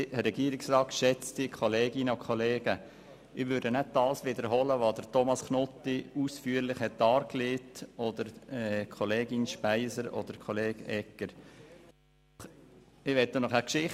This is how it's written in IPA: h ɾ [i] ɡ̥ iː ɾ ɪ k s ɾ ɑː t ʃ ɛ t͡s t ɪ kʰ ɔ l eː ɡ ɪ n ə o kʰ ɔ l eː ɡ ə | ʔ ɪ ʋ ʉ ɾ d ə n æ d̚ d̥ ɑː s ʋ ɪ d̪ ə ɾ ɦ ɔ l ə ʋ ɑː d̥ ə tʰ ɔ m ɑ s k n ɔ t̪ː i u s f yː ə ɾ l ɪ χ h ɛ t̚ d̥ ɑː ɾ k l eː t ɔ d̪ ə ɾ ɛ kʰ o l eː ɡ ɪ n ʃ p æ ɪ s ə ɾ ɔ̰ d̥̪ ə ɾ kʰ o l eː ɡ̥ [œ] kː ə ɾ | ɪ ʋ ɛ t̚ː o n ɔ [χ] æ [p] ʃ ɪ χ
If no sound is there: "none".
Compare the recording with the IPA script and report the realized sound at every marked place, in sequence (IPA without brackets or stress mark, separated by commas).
ɛ, ɛ, χ, k